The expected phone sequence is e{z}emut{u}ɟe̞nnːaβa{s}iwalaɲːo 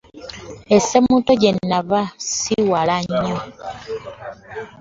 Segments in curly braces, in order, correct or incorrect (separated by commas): incorrect, incorrect, correct